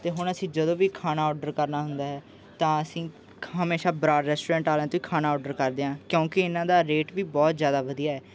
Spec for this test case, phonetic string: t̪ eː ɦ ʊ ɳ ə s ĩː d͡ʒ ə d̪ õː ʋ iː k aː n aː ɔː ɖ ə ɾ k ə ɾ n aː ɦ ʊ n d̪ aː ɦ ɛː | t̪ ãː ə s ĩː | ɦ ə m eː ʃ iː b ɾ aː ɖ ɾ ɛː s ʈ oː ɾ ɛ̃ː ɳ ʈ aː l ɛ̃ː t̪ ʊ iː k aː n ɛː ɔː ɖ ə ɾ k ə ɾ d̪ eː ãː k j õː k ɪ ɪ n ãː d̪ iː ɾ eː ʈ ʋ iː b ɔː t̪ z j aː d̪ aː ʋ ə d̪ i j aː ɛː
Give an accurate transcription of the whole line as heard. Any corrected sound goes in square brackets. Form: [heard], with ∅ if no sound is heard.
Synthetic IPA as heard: t̪ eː ɦ ʊ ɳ ə s ĩː d͡ʒ ə d̪ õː ʋ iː [kʰ] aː n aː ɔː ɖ ə ɾ k ə ɾ n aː ɦ ʊ n d̪ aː ɦ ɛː | t̪ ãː ə s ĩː | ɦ ə m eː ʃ [aː] b ɾ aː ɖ ɾ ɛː s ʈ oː ɾ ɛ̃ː ɳ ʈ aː l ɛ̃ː t̪ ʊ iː [kʰ] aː n [aː] ɔː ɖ ə ɾ k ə ɾ d̪ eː ãː k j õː k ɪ ɪ n ãː d̪ [aː] ɾ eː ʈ ʋ iː b ɔː t̪ z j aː d̪ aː ʋ ə d̪ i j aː ɛː

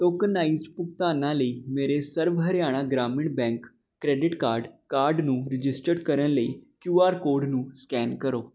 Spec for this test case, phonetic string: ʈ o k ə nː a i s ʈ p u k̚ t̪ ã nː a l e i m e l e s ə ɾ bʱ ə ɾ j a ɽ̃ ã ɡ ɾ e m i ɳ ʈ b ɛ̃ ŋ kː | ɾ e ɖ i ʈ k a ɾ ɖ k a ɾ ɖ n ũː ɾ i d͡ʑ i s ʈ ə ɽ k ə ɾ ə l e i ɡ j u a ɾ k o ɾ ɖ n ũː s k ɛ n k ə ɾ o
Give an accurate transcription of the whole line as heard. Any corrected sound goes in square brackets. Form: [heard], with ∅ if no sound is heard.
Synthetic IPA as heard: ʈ o k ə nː a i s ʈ p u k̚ t̪ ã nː a l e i m e [ɾ] e s ə ɾ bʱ ə ɾ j a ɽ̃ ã ɡ ɾ [a] m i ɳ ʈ b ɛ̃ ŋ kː | ɾ e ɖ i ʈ k a ɾ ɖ k a ɾ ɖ n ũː ɾ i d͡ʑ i s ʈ ə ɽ k ə ɾ ə l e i [k] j u a ɾ k o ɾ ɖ n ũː s k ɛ n k ə ɾ o

